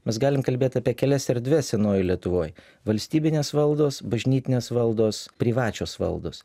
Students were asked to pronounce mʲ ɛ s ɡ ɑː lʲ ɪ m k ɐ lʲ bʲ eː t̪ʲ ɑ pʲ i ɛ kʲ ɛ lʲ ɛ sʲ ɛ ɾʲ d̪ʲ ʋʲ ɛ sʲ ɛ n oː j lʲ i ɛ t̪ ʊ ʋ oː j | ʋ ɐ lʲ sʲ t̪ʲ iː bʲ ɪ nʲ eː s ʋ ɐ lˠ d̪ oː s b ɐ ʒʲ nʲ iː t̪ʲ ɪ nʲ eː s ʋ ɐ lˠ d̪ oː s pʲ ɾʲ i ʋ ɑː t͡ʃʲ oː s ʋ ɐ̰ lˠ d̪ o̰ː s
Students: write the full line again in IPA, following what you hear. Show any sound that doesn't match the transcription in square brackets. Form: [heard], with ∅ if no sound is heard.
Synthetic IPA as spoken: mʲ ɛ s ɡ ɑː lʲ ɪ m k ɐ lʲ bʲ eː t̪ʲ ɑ pʲ i ɛ kʲ ɛ lʲ ɛ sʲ ɛ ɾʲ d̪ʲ ʋʲ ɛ sʲ ɛ n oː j lʲ i ɛ t̪ ʊ ʋ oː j | ʋ ɐ lʲ sʲ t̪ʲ iː bʲ ɪ nʲ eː s ʋ ɐ lˠ d̪ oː s b ɐ ʒʲ nʲ iː t̪ʲ ɪ nʲ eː s ʋ ɐ lˠ d̪ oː s pʲ ɾʲ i ʋ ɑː t͡ʃʲ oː s ʋ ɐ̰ lˠ d̪ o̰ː s